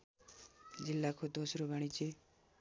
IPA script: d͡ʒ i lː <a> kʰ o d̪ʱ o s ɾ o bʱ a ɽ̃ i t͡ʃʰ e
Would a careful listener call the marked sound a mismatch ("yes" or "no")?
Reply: no